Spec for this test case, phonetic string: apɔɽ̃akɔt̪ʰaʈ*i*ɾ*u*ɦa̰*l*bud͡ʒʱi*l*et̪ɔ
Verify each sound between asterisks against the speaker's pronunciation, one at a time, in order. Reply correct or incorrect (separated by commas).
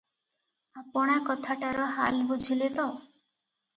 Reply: incorrect, incorrect, correct, correct